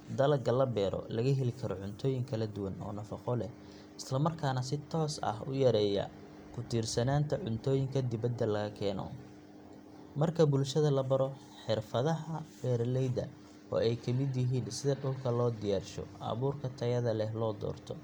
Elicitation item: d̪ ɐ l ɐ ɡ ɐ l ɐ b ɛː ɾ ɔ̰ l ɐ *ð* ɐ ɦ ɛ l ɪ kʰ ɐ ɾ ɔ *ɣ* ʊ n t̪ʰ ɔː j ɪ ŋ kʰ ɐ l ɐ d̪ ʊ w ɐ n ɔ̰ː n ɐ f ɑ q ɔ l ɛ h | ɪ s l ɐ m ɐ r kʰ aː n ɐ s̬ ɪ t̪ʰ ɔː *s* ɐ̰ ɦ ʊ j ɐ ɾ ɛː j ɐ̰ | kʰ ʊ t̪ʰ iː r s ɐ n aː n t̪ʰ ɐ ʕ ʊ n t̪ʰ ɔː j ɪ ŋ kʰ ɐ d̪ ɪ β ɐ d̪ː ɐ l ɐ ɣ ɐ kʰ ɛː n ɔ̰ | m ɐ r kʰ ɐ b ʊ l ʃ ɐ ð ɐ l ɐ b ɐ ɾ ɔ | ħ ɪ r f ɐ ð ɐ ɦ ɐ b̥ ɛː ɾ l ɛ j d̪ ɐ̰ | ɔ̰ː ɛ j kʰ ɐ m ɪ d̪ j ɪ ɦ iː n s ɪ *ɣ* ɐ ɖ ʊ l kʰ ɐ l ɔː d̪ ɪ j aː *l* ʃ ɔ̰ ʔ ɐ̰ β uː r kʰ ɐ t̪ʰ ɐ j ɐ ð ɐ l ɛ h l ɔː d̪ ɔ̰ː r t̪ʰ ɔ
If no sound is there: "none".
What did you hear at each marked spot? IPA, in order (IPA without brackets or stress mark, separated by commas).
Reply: ɣ, ʕ, s, ð, r